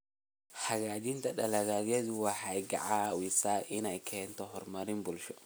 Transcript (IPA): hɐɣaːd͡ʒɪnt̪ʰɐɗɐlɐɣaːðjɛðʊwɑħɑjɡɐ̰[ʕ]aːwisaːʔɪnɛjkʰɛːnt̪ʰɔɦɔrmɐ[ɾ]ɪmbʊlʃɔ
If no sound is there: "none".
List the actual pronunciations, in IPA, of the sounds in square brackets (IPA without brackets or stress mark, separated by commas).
ʕ, ɾ